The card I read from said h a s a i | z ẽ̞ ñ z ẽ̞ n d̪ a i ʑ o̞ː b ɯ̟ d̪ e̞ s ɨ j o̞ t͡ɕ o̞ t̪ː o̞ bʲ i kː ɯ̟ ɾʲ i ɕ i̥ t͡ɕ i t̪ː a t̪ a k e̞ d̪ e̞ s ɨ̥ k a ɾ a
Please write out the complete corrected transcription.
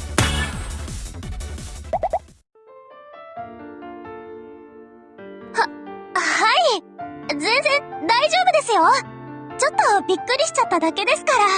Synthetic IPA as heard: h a h a i | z ẽ̞ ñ z ẽ̞ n d̪ a i ʑ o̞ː b ɯ̟ d̪ e̞ s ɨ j o̞ t͡ɕ o̞ t̪ː o̞ bʲ i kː ɯ̟ ɾʲ i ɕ i̥ t͡ɕ a t̪ː a d̪ a k e̞ d̪ e̞ s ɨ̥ k a ɾ a